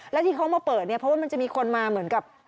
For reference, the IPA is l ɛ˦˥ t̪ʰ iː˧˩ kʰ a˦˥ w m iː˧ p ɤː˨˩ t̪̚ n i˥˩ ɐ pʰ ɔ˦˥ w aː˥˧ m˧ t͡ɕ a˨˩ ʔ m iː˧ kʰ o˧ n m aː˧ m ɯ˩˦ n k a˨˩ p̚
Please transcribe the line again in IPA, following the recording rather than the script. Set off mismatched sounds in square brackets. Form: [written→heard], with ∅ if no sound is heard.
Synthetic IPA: l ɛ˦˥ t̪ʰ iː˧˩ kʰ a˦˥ w m [iː˧→aː˧] p ɤː˨˩ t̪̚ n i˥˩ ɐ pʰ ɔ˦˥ w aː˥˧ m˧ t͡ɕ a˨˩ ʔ m iː˧ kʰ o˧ n m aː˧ m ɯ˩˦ n k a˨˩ p̚